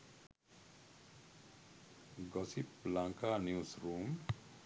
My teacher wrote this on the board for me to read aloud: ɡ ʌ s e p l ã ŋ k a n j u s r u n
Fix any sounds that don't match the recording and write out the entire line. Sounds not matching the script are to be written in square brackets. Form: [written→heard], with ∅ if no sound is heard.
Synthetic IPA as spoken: ɡ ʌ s [e→i] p l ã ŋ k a n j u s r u [n→m]